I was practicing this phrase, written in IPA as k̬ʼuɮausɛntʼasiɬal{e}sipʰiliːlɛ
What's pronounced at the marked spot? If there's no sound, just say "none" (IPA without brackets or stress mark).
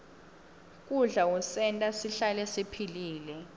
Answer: ɛ